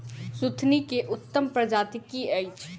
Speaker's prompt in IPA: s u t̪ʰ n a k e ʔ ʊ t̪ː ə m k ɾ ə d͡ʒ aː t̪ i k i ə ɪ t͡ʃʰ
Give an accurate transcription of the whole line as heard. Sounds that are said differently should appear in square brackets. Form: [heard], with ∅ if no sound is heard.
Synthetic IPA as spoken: s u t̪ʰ n [i] k e ʔ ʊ t̪ː ə m [p] ɾ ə d͡ʒ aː t̪ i k i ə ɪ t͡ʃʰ